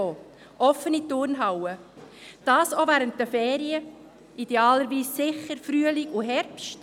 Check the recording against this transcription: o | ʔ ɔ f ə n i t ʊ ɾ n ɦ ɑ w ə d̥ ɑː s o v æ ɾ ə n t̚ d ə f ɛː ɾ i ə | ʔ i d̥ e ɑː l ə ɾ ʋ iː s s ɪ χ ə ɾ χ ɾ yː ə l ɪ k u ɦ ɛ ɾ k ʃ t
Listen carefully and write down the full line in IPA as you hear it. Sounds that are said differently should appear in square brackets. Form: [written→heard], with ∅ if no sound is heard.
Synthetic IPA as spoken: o | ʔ ɔ f ə n i t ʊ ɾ n ɦ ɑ w ə d̥ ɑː s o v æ ɾ ə n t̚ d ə f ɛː ɾ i ə | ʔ i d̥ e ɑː l ə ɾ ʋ iː s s ɪ χ ə ɾ [χ→f] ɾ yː ə l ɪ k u ɦ ɛ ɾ [k→p] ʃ t